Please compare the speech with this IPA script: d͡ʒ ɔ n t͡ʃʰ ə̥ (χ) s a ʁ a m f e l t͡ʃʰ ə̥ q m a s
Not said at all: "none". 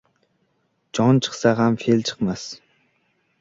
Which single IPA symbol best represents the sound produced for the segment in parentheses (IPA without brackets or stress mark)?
χ